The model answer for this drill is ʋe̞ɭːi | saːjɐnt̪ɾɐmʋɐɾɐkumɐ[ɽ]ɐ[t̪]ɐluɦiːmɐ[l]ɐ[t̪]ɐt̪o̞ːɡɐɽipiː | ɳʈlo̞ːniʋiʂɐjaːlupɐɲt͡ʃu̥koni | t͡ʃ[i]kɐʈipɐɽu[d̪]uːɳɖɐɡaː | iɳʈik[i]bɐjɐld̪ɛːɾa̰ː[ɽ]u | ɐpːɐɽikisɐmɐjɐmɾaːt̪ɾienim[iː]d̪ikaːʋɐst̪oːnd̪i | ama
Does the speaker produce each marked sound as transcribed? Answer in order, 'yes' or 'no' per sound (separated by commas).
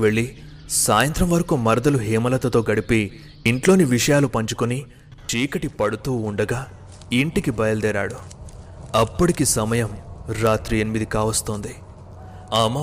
no, no, yes, yes, no, no, yes, yes, no